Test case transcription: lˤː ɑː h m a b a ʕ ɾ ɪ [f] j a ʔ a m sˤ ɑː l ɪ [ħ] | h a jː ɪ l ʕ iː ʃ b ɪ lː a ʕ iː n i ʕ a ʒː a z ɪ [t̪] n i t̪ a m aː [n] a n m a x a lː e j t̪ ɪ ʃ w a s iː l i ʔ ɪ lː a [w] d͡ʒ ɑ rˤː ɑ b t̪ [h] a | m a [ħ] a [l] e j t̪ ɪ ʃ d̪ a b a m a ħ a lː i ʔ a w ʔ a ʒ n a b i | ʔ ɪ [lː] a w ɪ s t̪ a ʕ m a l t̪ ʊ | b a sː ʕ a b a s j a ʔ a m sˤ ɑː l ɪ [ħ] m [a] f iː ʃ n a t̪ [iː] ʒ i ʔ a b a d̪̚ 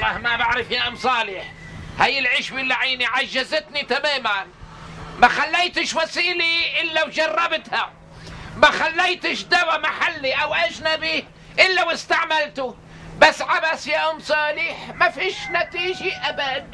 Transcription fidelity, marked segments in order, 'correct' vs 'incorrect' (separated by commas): correct, correct, correct, incorrect, correct, correct, incorrect, incorrect, correct, correct, correct, correct